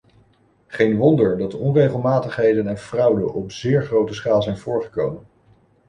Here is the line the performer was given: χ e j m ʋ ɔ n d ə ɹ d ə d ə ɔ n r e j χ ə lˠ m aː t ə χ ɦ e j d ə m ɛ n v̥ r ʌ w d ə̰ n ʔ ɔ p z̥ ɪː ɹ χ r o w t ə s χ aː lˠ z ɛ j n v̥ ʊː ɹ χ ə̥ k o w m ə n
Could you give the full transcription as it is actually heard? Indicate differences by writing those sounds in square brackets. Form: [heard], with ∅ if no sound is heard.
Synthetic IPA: χ e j [n] ʋ ɔ n d ə ɹ d [ɑ] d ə ɔ n r e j χ ə lˠ m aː t ə χ ɦ e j d ə [n] ɛ n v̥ r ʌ w d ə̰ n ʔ ɔ p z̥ ɪː ɹ χ r o w t ə s χ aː lˠ z ɛ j n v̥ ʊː ɹ χ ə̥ k o w m ə n